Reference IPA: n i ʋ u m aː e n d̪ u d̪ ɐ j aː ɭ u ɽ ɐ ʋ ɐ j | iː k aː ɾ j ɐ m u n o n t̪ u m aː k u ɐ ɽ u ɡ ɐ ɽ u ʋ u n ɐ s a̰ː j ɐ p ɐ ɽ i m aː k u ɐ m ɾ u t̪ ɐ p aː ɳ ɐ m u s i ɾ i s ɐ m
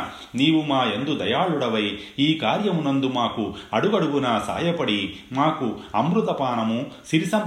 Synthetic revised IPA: n iː ʋ u m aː e n d̪ u d̪ ɐ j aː ɭ u ɽ ɐ ʋ ɐ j | iː k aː ɾ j ɐ m u n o n d̪ u m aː k u ɐ ɽ u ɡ ɐ ɽ u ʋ u n ɐ s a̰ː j ɐ p ɐ ɽ i m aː k u ɐ m ɾ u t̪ ɐ p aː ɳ ɐ m u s i ɾ i s ɐ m